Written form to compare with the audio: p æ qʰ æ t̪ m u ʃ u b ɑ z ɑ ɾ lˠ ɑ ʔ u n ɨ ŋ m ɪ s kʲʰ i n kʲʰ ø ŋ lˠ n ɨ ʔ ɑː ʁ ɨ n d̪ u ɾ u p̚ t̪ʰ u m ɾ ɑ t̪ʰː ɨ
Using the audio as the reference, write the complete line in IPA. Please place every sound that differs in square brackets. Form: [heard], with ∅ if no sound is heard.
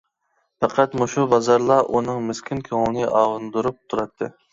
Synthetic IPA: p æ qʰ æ t̪ m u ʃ u b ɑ z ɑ ɾ lˠ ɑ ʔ u n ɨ ŋ m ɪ s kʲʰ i n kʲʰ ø ŋ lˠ n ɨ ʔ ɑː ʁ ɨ n d̪ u ɾ u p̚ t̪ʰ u [∅] ɾ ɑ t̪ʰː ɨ